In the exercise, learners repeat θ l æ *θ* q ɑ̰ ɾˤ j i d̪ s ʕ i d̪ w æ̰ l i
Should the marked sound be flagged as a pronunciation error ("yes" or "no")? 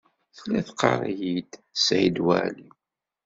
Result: no